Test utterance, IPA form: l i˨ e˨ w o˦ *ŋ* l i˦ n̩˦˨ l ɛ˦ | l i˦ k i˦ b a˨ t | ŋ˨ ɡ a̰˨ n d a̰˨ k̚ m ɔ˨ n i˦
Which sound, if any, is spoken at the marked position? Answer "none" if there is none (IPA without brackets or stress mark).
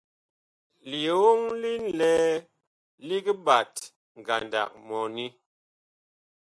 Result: ŋ